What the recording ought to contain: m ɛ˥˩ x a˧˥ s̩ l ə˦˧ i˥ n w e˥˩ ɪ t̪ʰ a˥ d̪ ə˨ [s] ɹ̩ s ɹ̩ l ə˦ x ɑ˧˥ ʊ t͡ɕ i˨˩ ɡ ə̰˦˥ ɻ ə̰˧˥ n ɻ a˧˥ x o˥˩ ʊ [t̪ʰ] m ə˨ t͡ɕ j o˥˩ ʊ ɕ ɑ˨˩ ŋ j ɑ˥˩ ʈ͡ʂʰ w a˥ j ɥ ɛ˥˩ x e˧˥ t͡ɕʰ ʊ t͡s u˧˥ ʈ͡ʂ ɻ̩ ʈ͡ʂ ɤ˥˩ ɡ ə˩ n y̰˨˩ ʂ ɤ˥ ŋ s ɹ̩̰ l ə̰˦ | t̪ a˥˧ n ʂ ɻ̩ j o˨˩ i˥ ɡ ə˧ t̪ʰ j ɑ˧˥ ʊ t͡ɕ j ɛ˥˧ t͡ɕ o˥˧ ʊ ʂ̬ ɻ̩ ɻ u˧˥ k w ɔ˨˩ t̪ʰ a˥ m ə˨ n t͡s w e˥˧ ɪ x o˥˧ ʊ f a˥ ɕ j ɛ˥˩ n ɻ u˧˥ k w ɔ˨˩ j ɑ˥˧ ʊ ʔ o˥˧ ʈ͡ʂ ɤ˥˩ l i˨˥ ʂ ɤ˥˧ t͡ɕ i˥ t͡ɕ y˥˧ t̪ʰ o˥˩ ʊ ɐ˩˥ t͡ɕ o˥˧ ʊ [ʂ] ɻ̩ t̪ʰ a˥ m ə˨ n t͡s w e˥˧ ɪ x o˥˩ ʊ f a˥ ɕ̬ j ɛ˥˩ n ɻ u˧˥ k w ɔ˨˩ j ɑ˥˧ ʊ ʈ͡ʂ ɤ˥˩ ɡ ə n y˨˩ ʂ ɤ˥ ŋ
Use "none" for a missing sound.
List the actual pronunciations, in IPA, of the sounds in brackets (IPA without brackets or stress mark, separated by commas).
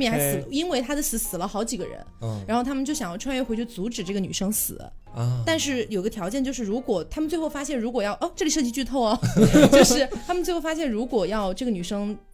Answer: s, t̪ʰ, ʂ